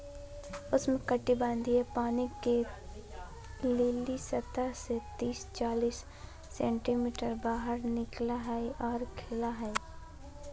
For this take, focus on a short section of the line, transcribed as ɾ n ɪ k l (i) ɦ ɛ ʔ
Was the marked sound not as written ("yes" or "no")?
yes